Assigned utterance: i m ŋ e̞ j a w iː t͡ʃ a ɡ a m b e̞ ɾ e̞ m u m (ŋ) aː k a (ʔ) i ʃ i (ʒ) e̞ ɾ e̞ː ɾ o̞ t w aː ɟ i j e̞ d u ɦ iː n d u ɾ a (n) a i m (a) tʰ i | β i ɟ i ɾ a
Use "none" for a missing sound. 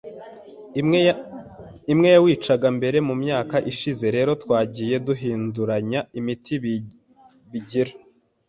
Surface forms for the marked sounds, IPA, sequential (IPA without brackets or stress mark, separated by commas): ɲ, ʔ, z, ɲ, i